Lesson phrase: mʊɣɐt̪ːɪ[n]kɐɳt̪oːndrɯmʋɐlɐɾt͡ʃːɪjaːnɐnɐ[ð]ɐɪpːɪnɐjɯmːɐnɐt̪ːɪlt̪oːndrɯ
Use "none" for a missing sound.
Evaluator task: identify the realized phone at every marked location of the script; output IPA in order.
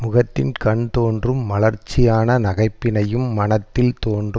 n, ɣ

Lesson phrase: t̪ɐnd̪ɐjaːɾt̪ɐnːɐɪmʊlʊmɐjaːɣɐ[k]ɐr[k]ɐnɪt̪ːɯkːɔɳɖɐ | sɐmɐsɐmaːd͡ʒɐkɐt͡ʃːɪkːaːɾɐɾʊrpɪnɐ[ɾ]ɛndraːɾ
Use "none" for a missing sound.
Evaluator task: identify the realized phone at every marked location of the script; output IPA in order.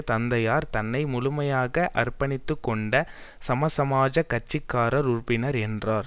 ʔ, p, ɾ

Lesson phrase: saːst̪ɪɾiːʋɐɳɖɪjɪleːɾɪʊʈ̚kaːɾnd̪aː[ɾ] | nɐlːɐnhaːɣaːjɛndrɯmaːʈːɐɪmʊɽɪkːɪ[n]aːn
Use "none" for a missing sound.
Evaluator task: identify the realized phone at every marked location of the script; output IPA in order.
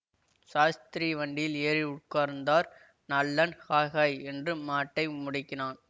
ɾ, n

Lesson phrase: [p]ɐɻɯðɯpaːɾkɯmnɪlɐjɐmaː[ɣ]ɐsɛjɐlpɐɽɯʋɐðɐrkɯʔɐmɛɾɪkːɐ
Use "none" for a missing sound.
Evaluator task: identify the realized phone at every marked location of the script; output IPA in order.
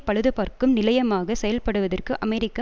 p, ɣ

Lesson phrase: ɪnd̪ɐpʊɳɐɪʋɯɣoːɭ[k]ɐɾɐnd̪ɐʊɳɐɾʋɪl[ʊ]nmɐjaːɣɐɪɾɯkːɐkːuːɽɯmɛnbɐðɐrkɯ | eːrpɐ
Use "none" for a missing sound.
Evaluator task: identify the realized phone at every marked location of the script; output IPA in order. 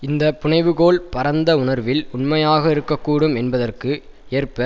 p, ʊ

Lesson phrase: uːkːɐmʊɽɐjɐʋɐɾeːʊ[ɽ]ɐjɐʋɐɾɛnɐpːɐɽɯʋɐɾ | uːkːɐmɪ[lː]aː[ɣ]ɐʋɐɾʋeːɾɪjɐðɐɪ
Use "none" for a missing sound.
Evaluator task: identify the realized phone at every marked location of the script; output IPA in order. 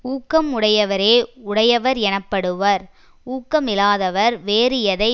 ɽ, l, ð

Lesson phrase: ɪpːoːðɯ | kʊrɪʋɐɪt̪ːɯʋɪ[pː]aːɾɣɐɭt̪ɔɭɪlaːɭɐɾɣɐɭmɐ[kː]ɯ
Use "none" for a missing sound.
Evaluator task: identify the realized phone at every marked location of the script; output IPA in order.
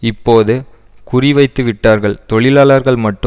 ʈː, ʈː

